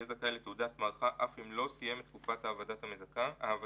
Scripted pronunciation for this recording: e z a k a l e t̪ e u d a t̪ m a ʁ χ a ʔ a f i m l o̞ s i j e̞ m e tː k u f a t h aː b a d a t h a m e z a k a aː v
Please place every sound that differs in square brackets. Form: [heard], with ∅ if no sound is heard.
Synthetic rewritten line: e z a k a l e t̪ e u d a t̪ m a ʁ χ a ʔ a f i m l o̞ s i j e̞ m e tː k u f a t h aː [v] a d a t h a m e z a k a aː v